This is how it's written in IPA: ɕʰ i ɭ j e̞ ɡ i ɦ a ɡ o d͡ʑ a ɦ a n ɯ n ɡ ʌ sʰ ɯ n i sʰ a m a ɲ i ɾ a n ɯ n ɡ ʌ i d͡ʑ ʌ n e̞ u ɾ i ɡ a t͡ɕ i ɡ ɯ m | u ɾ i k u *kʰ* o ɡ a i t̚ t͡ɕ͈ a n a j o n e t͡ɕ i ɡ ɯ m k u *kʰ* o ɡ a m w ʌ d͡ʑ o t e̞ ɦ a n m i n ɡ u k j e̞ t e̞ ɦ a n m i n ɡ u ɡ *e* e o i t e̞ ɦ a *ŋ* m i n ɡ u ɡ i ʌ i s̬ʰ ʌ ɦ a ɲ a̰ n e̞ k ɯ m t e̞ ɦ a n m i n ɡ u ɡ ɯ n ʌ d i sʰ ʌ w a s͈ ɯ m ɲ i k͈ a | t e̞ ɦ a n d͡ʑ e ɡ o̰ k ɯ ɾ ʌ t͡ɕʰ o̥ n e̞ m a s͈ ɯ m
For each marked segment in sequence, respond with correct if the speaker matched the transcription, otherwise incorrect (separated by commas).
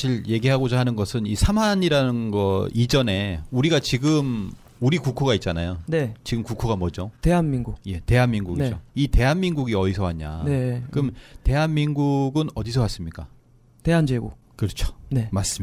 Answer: correct, correct, incorrect, incorrect